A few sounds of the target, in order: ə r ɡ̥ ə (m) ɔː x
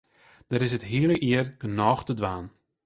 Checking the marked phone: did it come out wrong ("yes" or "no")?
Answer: yes